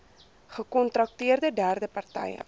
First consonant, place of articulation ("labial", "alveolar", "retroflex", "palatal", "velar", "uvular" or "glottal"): uvular